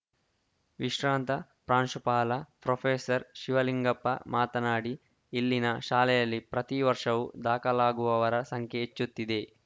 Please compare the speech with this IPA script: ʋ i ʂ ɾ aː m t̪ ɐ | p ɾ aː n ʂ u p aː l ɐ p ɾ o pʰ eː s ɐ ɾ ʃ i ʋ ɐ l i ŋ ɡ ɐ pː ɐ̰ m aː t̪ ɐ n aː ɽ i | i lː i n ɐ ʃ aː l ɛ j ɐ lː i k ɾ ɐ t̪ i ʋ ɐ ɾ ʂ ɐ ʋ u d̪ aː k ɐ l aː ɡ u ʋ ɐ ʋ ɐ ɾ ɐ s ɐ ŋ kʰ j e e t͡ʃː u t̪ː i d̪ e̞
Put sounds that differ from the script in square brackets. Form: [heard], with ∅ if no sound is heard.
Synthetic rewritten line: ʋ i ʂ ɾ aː [n] t̪ ɐ | p ɾ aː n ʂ u p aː l ɐ p ɾ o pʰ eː s ɐ ɾ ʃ i ʋ ɐ l i ŋ ɡ ɐ pː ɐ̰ m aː t̪ ɐ n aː ɽ i | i lː i n ɐ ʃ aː l ɛ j ɐ lː i [p] ɾ ɐ t̪ i ʋ ɐ ɾ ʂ ɐ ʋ u d̪ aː k ɐ l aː ɡ u ʋ ɐ ʋ ɐ ɾ ɐ s ɐ ŋ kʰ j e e t͡ʃː u t̪ː i d̪ e̞

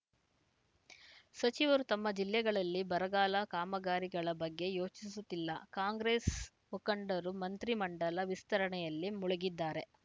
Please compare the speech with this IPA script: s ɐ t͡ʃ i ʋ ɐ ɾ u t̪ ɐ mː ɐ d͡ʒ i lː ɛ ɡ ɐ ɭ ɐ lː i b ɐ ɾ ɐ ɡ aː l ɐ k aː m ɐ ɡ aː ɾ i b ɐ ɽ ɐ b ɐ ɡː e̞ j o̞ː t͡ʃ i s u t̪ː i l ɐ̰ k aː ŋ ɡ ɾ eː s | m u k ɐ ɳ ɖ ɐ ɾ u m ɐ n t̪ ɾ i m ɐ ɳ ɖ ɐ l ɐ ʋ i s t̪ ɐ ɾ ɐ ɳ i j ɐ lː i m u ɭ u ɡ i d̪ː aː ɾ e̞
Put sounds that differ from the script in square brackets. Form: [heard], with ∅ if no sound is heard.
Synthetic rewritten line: s ɐ t͡ʃ i ʋ ɐ ɾ u t̪ ɐ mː ɐ d͡ʒ i lː ɛ ɡ ɐ ɭ ɐ lː i b ɐ ɾ ɐ ɡ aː l ɐ k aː m ɐ ɡ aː ɾ i [ɡ] ɐ [ɭ] ɐ b ɐ ɡː e̞ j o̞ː t͡ʃ i s u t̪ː i [lː] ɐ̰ k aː ŋ ɡ ɾ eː s | m u k ɐ ɳ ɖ ɐ ɾ u m ɐ n t̪ ɾ i m ɐ ɳ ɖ ɐ l ɐ ʋ i s t̪ ɐ ɾ ɐ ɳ [ɛ] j ɐ lː i m u ɭ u ɡ i d̪ː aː ɾ e̞

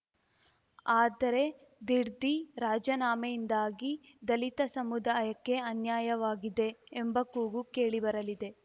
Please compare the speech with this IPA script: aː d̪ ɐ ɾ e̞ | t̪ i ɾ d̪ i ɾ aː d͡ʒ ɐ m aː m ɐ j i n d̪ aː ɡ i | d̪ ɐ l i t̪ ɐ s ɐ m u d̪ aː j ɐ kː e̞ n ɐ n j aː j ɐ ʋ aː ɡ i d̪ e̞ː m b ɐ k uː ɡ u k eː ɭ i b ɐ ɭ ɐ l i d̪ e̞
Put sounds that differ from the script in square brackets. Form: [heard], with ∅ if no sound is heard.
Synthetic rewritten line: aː d̪ ɐ ɾ e̞ | [d̪] i ɾ d̪ i ɾ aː d͡ʒ ɐ [n] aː m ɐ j i n d̪ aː ɡ i | d̪ ɐ l i t̪ ɐ s ɐ m u d̪ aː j ɐ kː e̞ [∅] ɐ n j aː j ɐ ʋ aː ɡ i d̪ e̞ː m b ɐ k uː ɡ u k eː ɭ i b ɐ [ɾ] ɐ l i d̪ e̞

